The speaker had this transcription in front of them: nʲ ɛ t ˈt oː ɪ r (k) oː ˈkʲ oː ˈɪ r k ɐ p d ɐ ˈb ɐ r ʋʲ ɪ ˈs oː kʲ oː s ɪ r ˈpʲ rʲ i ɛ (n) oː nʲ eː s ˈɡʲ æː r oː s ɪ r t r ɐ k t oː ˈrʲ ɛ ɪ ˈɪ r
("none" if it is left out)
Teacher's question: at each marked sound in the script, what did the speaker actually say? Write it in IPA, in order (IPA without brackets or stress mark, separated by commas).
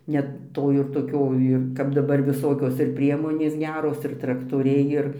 t, m